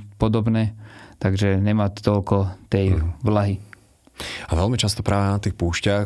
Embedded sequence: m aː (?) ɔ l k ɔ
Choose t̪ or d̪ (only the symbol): t̪